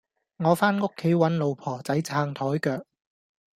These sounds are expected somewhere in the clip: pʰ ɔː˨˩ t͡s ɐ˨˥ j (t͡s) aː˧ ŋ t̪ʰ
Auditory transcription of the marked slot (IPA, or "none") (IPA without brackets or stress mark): t͡sʰ